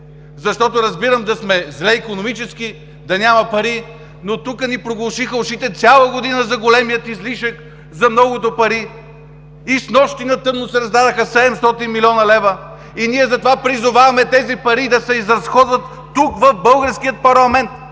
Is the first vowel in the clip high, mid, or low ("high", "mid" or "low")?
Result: low